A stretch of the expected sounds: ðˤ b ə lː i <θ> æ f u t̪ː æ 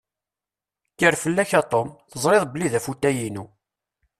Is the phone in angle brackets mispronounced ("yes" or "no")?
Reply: yes